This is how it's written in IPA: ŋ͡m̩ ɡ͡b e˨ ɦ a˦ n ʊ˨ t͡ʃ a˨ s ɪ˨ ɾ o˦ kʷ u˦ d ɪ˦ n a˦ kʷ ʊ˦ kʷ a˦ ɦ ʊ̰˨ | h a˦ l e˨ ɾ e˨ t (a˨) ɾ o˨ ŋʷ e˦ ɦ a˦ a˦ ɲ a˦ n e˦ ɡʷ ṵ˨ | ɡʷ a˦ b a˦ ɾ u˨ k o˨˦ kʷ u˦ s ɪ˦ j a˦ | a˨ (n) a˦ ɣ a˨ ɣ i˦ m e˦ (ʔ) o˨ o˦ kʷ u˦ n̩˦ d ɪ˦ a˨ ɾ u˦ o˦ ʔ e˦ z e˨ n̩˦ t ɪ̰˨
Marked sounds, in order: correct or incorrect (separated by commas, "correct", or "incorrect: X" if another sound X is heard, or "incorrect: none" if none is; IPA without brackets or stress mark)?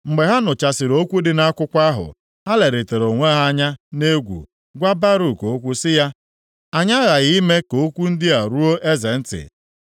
incorrect: e˨, incorrect: ɲ, incorrect: k